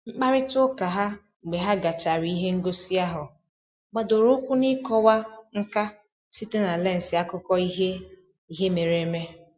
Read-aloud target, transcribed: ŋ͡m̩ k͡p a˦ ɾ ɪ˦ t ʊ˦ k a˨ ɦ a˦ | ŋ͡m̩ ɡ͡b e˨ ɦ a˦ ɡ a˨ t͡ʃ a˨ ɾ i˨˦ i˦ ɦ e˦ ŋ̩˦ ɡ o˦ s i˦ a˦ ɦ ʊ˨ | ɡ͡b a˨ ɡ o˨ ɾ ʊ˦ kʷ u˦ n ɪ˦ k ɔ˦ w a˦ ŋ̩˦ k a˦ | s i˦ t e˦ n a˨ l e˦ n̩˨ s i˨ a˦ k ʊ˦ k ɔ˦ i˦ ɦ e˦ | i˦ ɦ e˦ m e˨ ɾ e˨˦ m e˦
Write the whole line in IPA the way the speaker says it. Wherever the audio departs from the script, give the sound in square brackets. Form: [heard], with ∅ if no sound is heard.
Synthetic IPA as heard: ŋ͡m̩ k͡p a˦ ɾ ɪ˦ t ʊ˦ k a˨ ɦ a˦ | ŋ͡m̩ ɡ͡b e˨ ɦ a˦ ɡ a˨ t͡ʃ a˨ ɾ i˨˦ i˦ ɦ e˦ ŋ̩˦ ɡ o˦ s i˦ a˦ ɦ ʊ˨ | ɡ͡b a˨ [d] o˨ ɾ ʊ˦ kʷ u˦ n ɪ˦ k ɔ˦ w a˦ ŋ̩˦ k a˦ | s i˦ t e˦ n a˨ l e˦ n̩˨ s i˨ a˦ k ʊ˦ k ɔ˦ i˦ ɦ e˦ | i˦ ɦ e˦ m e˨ ɾ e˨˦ m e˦